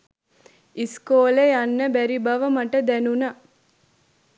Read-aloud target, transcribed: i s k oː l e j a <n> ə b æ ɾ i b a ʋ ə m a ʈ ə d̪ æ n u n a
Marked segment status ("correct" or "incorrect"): incorrect